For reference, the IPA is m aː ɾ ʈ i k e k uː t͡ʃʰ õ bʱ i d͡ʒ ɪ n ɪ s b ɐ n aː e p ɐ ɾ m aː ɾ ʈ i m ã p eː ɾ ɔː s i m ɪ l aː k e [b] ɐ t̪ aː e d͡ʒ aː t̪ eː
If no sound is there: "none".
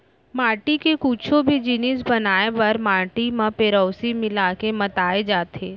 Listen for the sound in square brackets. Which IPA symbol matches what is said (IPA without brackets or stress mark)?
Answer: m